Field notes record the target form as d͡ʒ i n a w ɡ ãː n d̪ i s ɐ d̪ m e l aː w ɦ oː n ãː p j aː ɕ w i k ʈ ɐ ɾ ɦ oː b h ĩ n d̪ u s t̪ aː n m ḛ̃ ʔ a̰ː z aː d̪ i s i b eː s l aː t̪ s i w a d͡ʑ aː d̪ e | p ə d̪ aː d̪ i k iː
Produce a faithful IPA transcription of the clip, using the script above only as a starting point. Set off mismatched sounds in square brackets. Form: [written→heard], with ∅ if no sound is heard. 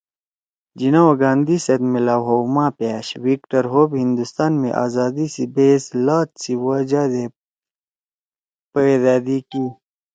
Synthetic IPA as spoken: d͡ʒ i n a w ɡ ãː n d̪ i s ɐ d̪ m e l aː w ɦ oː [n→m] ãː p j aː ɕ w i k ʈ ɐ ɾ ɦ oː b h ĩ n d̪ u s t̪ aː n m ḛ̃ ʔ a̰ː z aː d̪ i s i b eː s l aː t̪ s i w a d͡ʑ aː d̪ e | p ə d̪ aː d̪ i k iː